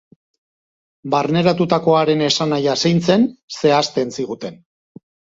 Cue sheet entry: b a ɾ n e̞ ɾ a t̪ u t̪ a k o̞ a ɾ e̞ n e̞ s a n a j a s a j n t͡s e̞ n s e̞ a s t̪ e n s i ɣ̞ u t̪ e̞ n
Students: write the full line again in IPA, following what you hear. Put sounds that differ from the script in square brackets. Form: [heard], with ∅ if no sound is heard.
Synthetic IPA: b a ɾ n e̞ ɾ a t̪ u t̪ a k o̞ a ɾ e̞ n e̞ s a n a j a s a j n t͡s e̞ n s e̞ a s t̪ e n s i ɣ̞ u t̪ e̞ n